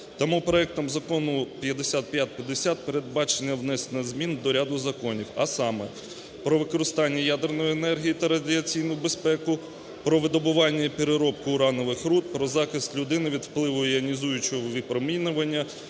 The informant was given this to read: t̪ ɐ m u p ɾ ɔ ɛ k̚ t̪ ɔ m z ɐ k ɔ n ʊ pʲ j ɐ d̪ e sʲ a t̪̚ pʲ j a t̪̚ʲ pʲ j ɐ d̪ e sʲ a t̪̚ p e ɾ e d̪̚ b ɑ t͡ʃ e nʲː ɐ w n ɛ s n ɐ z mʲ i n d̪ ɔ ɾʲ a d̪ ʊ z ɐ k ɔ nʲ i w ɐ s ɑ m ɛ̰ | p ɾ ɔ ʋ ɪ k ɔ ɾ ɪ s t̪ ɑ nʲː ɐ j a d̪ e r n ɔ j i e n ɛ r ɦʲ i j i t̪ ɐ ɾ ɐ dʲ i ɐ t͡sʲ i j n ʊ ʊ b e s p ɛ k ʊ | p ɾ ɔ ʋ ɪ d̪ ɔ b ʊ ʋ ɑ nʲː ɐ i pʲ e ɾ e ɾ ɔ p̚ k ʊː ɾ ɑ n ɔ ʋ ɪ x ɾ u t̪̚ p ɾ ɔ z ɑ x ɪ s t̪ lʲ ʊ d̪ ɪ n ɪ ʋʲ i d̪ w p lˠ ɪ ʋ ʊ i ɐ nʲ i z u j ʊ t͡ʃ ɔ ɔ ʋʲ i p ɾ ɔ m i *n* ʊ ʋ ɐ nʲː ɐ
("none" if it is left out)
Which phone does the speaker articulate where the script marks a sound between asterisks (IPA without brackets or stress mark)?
n